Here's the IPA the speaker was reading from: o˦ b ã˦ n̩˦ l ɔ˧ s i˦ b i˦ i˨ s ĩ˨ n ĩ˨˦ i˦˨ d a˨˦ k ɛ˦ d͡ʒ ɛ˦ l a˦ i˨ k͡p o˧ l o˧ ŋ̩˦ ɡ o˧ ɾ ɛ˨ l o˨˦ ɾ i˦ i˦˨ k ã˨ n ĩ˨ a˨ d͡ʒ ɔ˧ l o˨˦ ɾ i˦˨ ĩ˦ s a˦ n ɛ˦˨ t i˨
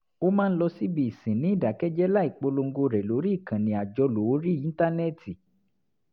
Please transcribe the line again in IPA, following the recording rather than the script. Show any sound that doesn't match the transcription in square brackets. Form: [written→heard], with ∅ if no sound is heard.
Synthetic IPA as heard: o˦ [b→m] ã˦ n̩˦ l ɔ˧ s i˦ b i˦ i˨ s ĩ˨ n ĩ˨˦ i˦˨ d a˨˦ k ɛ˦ d͡ʒ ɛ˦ l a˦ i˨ k͡p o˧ l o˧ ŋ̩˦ ɡ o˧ ɾ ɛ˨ l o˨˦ ɾ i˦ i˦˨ k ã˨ n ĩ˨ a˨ d͡ʒ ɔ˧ l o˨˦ ɾ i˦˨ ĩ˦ [s→t] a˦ n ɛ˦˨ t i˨